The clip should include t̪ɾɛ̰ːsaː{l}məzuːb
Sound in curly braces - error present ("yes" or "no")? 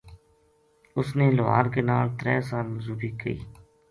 no